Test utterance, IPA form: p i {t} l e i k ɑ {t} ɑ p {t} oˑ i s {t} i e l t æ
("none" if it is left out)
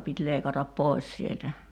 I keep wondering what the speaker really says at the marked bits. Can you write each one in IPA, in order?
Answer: t, t, p, s

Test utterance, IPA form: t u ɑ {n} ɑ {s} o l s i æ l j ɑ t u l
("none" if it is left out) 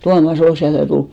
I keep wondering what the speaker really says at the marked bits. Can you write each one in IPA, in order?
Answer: m, s

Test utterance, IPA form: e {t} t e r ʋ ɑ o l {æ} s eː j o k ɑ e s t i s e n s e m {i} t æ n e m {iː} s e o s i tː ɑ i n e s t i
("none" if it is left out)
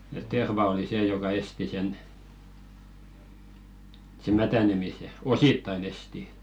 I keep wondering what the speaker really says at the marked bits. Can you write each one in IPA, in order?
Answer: t, i, æ, i

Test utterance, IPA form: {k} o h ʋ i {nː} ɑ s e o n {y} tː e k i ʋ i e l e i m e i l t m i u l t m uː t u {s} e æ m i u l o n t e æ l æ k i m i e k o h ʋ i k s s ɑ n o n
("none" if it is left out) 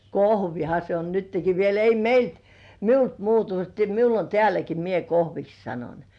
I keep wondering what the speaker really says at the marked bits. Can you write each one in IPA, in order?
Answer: k, n, y, t

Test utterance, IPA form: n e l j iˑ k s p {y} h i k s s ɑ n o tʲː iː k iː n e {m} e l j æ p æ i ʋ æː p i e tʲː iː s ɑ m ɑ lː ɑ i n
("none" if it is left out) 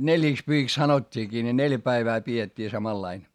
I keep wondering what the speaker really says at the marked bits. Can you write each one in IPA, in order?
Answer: y, n

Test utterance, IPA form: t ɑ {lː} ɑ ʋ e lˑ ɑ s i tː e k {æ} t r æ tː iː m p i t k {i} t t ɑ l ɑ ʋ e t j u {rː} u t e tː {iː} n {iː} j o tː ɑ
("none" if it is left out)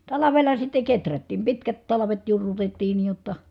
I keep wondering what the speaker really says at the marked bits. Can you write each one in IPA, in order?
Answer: l, e, æ, rː, iː, iː

